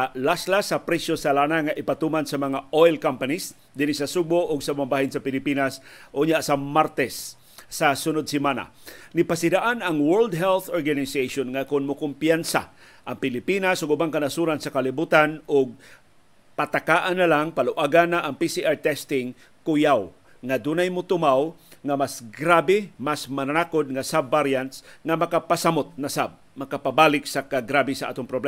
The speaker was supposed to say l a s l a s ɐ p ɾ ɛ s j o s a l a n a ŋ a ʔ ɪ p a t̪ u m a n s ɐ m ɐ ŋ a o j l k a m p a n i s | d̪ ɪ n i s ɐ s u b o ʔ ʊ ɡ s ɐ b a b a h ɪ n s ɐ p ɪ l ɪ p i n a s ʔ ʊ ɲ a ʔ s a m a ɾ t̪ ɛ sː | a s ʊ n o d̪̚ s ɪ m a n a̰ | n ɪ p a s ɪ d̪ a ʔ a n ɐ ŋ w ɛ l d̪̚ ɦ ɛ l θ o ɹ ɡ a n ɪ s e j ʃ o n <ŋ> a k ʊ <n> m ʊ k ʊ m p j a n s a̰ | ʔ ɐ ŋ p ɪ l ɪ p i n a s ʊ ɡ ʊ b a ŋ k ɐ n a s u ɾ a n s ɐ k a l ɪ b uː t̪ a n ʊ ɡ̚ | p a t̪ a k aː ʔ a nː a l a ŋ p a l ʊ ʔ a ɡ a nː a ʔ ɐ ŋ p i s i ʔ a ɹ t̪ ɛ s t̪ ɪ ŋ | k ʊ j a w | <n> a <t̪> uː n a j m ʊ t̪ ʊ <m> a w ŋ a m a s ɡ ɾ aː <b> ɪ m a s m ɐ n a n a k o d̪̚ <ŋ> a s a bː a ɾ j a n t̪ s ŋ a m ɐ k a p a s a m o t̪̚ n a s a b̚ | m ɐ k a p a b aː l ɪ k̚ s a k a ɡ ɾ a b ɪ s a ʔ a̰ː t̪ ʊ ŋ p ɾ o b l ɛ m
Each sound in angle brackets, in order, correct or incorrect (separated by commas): correct, correct, incorrect, incorrect, correct, correct, correct